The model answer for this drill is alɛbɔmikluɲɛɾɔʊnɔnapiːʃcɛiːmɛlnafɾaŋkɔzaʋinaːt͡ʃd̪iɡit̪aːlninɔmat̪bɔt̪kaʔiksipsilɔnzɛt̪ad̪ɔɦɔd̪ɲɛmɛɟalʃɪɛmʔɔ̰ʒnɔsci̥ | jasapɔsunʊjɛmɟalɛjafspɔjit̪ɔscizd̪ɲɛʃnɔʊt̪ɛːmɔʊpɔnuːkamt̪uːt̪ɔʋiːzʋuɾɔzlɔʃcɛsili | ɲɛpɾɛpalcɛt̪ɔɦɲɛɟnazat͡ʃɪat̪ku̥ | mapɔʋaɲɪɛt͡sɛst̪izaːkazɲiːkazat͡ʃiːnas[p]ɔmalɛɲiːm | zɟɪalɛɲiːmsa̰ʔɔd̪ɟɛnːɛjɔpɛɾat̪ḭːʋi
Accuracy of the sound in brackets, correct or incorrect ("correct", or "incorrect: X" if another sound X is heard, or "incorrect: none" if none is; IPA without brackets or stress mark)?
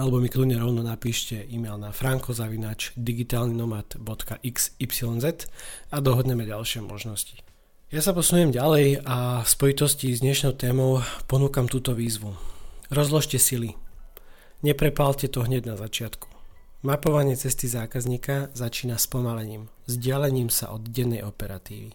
correct